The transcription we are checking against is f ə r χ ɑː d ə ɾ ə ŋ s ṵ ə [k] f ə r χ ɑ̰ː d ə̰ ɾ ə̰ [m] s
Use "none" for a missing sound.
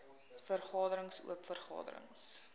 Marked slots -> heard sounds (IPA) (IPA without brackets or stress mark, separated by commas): p, ŋ